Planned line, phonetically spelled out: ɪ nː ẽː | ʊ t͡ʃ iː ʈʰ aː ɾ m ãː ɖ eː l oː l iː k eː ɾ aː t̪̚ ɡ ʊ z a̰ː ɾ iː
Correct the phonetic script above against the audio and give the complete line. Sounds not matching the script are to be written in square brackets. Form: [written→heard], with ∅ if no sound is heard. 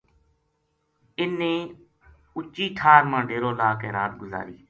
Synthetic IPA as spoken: ɪ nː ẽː | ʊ t͡ʃ iː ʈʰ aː ɾ m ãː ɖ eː [l→ɾ] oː l [iː→aː] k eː ɾ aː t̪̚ ɡ ʊ z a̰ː ɾ iː